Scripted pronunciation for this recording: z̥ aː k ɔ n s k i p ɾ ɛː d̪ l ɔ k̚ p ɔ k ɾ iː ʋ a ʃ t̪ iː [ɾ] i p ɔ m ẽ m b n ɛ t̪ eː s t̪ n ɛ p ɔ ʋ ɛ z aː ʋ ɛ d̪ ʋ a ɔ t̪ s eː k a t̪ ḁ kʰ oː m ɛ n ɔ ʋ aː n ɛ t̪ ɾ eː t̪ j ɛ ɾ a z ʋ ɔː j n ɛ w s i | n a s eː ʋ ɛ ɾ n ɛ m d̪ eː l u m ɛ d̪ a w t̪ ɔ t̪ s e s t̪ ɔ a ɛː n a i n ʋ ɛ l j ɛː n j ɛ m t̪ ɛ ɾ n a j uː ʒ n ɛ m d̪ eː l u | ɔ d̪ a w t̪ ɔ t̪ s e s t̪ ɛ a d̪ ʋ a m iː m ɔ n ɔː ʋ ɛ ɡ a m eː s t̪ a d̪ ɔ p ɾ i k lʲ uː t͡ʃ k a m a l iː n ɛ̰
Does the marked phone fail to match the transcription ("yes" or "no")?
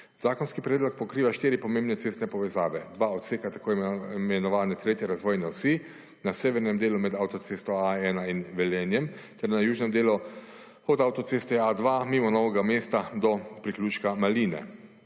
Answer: no